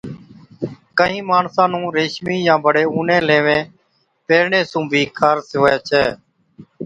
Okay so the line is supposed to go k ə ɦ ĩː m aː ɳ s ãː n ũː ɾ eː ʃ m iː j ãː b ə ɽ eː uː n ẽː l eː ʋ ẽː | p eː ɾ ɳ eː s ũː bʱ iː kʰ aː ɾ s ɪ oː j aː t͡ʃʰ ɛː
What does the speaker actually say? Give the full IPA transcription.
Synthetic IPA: k ə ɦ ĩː m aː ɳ s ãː n ũː ɾ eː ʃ m iː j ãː b ə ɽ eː uː n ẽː l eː ʋ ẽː | p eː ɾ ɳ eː s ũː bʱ iː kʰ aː ɾ s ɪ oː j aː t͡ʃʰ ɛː

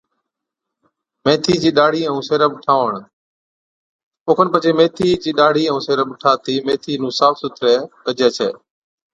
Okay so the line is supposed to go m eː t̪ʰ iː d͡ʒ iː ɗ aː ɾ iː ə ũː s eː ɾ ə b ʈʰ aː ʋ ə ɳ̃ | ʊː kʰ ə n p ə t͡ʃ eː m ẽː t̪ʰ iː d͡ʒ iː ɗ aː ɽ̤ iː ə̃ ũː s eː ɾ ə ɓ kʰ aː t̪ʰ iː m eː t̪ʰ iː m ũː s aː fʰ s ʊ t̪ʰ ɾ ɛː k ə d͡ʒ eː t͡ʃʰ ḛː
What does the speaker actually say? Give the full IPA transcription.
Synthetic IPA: m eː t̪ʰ iː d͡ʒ iː ɗ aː ɽ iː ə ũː s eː ɾ ə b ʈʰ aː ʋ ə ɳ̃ | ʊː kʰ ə n p ə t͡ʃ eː m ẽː t̪ʰ iː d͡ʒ iː ɗ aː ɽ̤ iː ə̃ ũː s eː ɾ ə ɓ ʈʰ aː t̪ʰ iː m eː t̪ʰ iː n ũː s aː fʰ s ʊ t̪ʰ ɾ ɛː k ə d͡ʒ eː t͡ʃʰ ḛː

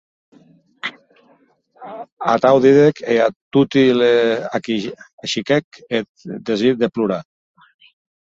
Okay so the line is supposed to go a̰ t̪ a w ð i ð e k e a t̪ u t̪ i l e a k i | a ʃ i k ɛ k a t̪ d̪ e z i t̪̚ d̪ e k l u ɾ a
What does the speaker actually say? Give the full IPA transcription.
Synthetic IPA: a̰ t̪ a w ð i ð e k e a t̪ u t̪ i l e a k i | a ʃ i k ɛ k e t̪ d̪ e z i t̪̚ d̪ e p l u ɾ a

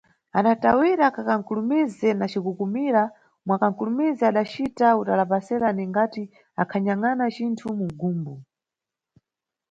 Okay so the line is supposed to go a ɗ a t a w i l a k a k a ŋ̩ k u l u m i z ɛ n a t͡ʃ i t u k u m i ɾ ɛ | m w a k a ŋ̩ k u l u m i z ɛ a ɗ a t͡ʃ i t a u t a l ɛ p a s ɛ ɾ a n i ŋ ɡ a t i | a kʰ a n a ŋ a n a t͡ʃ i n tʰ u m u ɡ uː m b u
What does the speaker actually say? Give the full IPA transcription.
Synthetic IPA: a ɗ a t a w i ɾ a k a k a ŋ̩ k u l u m i z ɛ n a t͡ʃ i k u k u m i ɾ a | m w a k a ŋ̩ k u l u m i z ɛ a ɗ a t͡ʃ i t a u t a l a p a s ɛ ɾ a n i ŋ ɡ a t i | a kʰ a ɲ a ŋ a n a t͡ʃ i n tʰ u m u ɡ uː m b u

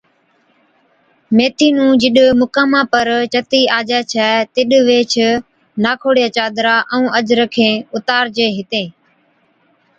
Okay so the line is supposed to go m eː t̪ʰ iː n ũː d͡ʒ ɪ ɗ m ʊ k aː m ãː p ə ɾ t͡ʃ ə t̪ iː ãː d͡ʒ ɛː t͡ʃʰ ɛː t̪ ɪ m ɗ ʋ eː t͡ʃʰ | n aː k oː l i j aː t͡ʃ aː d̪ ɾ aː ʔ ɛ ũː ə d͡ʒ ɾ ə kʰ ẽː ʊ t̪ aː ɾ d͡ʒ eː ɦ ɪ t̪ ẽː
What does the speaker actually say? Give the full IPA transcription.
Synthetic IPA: m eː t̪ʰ iː n ũː d͡ʒ ɪ ɗ m ʊ k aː m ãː p ə ɾ t͡ʃ ə t̪ iː aː d͡ʒ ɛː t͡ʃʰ ɛː t̪ ɪ ɗ ʋ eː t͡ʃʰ | n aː kʰ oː ɽ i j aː t͡ʃ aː d̪ ɾ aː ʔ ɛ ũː ə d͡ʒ ɾ ə kʰ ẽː ʊ t̪ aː ɾ d͡ʒ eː ɦ ɪ t̪ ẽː

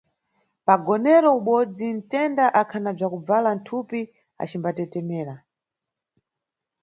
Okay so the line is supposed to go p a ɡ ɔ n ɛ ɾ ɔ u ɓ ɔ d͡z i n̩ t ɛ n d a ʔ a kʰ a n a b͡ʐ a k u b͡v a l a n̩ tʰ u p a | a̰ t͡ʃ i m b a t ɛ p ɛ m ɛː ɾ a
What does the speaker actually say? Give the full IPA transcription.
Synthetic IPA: p a ɡ ɔ n ɛ ɾ ɔ u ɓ ɔ d͡z i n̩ t ɛ n d a ʔ a kʰ a n a b͡ʐ a k u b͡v a l a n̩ tʰ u p i | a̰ t͡ʃ i m b a t ɛ t ɛ m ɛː ɾ a

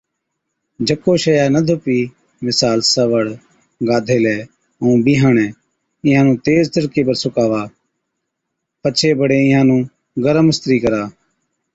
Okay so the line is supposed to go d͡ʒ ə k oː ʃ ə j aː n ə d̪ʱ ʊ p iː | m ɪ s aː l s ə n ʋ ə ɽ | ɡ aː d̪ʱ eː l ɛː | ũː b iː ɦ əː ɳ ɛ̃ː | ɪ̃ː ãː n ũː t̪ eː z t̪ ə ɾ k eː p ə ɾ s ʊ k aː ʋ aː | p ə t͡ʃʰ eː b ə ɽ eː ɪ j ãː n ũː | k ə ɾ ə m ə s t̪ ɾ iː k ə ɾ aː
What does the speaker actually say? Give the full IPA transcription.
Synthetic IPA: d͡ʒ ə k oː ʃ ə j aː n ə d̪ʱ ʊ p iː | m ɪ s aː l s ə ʋ ə ɽ | ɡ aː d̪ʱ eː l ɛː | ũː b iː ɦ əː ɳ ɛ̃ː | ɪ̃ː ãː n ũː t̪ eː z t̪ ə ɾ k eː p ə ɾ s ʊ k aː ʋ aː | p ə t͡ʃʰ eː b ə ɽ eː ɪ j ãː n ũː | ɡ ə ɾ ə m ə s t̪ ɾ iː k ə ɾ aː

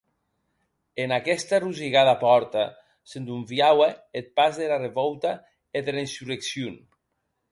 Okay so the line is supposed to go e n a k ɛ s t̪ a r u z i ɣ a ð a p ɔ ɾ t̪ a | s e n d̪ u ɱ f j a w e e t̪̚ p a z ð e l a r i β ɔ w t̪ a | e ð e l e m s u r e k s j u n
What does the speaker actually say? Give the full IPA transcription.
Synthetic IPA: e n a k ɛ s t̪ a r u z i ɣ a ð a p ɔ ɾ t̪ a | s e n d̪ u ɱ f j a w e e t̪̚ p a z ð e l a r e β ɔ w t̪ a | e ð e l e n s u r e k s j u n

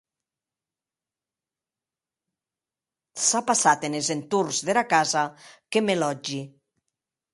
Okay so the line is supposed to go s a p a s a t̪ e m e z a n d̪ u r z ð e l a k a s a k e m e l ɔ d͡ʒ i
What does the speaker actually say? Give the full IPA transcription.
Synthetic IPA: s a p a s a t̪ e n e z e n t̪ u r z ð e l a k a z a k e m e l ɔ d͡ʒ i

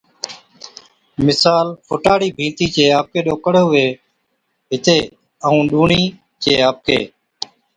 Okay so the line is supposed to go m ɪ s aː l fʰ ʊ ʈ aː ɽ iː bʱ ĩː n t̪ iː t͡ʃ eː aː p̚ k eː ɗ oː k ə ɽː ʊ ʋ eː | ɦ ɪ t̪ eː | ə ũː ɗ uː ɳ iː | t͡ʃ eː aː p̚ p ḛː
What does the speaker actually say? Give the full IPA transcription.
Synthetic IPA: m ɪ s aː l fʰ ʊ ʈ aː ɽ iː bʱ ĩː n t̪ iː t͡ʃ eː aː p̚ k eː ɗ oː k ə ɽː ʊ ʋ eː | ɦ ɪ t̪ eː | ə ũː ɗ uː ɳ iː | t͡ʃ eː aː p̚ k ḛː

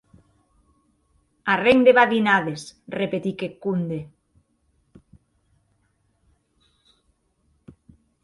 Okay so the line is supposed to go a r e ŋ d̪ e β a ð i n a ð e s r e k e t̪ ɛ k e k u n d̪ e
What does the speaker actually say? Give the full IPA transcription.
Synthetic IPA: a r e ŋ d̪ e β a ð i n a ð e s r e p e t̪ i k e k u n d̪ e

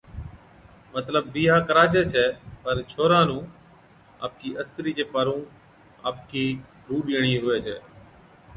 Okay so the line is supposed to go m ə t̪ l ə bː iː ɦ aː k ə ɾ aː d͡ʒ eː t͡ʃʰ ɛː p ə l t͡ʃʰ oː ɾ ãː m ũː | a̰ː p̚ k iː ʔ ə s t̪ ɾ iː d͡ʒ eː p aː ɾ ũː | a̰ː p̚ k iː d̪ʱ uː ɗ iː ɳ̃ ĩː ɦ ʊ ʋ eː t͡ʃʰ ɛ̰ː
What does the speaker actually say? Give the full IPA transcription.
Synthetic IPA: m ə t̪ l ə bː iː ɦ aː k ə ɾ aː d͡ʒ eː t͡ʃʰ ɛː p ə ɾ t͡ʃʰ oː ɾ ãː n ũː | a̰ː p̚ k iː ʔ ə s t̪ ɾ iː d͡ʒ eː p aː ɾ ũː | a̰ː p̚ k iː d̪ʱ uː ɗ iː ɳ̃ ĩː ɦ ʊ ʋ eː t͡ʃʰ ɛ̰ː

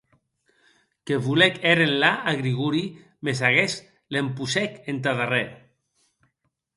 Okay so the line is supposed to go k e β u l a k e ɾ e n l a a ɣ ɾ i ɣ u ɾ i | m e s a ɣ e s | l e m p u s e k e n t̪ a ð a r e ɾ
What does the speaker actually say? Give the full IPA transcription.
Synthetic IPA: k e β u l e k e ɾ e n l a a ɣ ɾ i ɣ u ɾ i | m e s a ɣ e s | l e m p u s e k e n t̪ a ð a r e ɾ

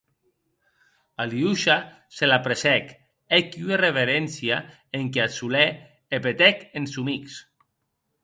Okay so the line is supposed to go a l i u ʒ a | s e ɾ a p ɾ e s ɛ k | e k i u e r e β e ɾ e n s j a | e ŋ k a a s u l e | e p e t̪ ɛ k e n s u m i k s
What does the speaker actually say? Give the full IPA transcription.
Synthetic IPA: a l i u ʃ a | s e l a p ɾ e s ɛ k | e k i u e r e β e ɾ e n s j a | e ŋ k e a s u l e | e p e t̪ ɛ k e n s u m i k s

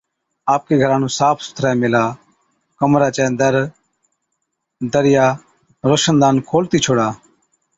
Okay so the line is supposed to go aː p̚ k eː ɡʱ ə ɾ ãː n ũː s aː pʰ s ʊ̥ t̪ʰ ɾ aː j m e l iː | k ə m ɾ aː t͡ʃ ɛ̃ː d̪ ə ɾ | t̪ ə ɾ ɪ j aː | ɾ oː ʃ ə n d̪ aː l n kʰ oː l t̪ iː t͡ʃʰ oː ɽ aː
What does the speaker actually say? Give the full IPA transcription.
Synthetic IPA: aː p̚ k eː ɡʱ ə ɾ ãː n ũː s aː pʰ s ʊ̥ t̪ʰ ɾ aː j m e l aː | k ə m ɾ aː t͡ʃ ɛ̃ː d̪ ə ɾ | d̪ ə ɾ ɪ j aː | ɾ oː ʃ ə n d̪ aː n kʰ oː l t̪ iː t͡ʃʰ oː ɽ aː

